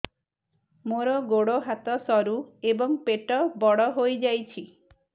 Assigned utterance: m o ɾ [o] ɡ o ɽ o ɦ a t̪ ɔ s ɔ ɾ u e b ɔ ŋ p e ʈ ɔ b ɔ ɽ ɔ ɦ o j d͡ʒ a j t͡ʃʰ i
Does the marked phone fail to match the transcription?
yes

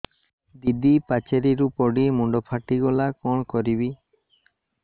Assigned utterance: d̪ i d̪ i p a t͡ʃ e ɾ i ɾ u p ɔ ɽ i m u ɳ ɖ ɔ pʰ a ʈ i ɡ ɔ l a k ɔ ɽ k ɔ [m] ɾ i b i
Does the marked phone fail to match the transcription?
yes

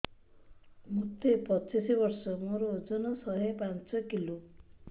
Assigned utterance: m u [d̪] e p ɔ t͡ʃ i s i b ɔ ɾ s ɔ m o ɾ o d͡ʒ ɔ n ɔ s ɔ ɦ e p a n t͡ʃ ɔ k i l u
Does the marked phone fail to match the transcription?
yes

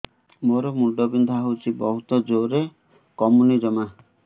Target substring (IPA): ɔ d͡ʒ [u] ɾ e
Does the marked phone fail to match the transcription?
yes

